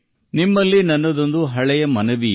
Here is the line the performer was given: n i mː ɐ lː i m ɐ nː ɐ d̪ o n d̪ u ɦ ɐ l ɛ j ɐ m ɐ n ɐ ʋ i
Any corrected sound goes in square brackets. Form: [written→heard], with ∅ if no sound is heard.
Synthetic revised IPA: n i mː ɐ lː i [m→n] ɐ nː ɐ d̪ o n d̪ u ɦ ɐ [l→ɭ] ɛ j ɐ m ɐ n ɐ ʋ i